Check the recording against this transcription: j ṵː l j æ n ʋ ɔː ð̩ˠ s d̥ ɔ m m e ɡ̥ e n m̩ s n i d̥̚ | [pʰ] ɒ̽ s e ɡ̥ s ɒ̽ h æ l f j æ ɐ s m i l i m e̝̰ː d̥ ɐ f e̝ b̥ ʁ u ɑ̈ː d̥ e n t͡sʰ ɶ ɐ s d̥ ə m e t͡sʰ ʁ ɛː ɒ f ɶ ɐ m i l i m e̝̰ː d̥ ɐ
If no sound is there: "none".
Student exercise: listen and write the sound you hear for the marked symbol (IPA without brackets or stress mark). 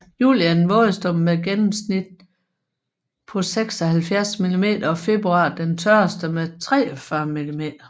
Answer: pʰ